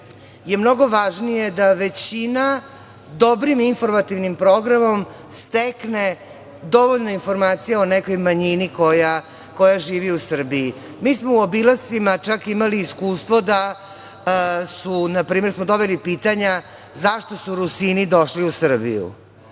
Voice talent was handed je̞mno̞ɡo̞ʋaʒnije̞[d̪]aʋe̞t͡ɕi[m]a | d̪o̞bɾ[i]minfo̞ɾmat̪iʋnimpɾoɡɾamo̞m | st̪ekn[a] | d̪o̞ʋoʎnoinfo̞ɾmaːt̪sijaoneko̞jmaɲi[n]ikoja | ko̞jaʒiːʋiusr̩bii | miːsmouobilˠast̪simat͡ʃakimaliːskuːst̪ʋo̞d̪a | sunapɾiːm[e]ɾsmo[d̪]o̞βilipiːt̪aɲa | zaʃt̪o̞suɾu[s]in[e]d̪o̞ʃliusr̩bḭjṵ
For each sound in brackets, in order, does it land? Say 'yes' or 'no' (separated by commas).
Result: yes, no, yes, no, yes, yes, yes, yes, no